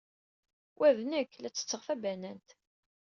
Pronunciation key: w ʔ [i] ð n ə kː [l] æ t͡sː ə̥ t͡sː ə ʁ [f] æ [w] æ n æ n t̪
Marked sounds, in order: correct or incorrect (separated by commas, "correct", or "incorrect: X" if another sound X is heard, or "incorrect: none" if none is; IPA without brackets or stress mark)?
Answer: incorrect: æ, correct, correct, incorrect: b